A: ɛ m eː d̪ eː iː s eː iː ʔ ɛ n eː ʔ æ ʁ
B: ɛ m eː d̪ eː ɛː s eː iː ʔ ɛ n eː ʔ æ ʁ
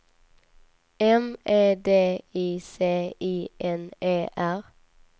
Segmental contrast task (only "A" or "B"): A